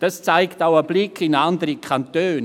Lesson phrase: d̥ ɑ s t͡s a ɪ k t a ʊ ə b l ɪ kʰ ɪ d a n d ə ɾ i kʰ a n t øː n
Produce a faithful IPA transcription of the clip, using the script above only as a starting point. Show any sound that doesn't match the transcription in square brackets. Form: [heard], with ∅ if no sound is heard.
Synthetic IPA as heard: d̥ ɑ s t͡s a ɪ k t a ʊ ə b l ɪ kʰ ɪ [n] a n d ə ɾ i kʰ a n t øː n